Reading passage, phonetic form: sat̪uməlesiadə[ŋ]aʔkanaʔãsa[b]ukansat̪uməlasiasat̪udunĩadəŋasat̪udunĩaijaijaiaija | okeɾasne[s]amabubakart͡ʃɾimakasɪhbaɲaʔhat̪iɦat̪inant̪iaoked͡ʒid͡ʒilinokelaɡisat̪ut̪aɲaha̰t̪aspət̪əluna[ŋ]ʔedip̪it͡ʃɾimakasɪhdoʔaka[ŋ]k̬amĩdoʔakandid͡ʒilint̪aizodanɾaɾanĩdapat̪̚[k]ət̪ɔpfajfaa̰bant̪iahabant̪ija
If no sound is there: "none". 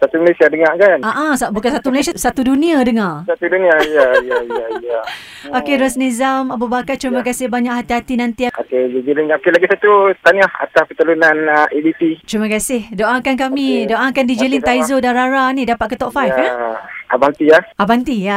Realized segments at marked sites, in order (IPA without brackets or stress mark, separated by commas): ŋ, b, z, n, n, k